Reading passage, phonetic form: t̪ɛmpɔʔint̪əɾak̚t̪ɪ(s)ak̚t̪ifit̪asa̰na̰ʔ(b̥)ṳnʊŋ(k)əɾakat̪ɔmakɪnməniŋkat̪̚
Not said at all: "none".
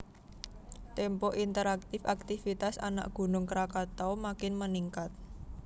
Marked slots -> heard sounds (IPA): f, ɡ̥, k

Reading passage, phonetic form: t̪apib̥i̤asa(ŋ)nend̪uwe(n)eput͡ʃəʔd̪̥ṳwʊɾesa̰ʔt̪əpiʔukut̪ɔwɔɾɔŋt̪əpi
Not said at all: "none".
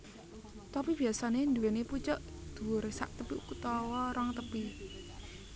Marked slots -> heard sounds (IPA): none, n

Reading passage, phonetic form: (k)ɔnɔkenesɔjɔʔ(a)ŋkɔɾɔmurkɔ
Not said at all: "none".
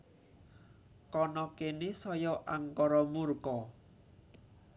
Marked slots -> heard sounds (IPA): k, a

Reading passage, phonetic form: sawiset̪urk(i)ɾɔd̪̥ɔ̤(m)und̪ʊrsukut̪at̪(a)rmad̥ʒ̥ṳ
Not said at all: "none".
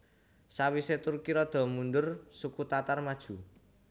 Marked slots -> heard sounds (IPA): i, m, a

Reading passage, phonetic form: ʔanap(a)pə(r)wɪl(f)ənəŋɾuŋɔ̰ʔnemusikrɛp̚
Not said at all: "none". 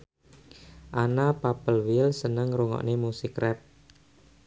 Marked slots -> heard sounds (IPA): a, l, s

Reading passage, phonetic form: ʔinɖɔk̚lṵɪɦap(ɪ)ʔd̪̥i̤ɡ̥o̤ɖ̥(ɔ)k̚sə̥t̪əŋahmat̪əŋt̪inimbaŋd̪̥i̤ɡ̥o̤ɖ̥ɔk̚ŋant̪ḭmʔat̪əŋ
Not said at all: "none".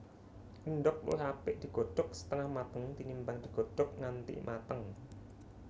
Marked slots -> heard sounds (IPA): ɪ, ɔ

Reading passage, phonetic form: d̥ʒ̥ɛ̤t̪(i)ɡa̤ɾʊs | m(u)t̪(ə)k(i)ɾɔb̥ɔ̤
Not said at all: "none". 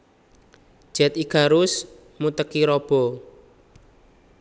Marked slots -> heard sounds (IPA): i, u, ə, i

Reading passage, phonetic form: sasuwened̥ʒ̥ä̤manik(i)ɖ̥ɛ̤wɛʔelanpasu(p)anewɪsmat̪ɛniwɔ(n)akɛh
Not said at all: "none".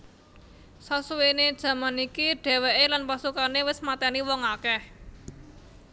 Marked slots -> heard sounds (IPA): i, k, ŋ

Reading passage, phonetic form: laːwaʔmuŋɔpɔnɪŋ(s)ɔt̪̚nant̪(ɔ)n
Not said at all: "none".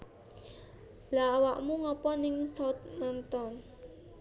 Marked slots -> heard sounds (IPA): s, ɔ

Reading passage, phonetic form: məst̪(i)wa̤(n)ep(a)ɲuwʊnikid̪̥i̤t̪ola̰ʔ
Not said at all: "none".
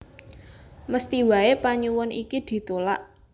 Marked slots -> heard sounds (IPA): i, none, a

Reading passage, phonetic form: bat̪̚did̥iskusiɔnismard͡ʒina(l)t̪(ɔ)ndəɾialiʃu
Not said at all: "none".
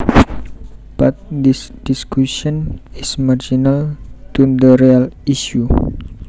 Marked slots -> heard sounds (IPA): l, u

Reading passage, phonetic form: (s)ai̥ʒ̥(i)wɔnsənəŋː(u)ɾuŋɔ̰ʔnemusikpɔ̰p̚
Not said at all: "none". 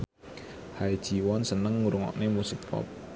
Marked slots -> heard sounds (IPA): h, i, u

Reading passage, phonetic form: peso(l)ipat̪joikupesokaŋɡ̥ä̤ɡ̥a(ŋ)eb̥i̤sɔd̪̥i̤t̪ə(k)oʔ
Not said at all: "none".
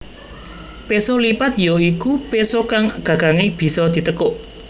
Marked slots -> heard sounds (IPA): l, ŋ, k

